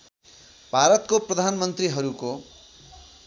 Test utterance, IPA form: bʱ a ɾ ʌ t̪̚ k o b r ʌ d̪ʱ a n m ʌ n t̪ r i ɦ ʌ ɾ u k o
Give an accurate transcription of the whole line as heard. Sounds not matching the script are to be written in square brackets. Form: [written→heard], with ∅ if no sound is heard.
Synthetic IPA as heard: bʱ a ɾ ʌ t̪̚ k o [b→p] r ʌ d̪ʱ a n m ʌ n t̪ r i ɦ ʌ ɾ u k o